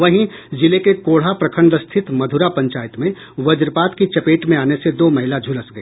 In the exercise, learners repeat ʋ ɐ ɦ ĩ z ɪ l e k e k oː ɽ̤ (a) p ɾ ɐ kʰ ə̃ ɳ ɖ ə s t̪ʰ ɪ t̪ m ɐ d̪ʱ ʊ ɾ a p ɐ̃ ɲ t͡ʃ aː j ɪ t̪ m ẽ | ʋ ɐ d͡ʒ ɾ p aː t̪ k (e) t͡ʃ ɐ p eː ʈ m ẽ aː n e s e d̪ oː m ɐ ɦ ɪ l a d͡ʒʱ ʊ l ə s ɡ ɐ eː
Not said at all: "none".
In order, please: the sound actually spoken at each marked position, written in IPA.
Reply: a, i

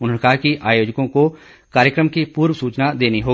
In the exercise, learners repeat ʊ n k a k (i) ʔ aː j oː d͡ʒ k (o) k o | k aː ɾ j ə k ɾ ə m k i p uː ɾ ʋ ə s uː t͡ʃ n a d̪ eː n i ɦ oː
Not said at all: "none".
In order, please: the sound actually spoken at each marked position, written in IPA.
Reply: i, õ

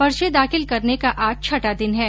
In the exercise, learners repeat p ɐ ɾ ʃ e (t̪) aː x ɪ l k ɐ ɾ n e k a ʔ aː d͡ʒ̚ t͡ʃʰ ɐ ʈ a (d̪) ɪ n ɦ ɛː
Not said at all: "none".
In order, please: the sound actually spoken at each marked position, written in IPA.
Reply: d̪, d̪

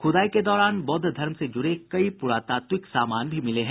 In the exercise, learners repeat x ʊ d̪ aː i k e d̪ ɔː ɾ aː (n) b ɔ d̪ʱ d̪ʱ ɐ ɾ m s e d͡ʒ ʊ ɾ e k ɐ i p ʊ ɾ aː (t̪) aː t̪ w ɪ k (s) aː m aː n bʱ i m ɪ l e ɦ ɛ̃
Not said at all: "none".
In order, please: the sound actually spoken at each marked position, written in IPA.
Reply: n, t̪, s

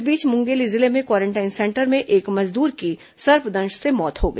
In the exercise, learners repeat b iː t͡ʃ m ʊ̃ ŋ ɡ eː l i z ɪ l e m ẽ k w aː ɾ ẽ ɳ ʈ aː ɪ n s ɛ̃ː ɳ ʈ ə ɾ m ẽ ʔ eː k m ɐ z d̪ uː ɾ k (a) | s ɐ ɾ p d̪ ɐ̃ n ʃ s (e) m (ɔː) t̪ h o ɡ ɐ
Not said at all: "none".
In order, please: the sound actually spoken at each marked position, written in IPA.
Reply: i, e, ɔː

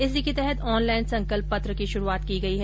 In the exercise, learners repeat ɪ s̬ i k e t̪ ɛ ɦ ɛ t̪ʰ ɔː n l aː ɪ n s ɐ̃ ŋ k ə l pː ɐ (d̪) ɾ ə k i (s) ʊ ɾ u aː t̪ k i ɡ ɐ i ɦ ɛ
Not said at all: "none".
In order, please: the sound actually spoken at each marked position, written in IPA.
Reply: t̪, ʃ

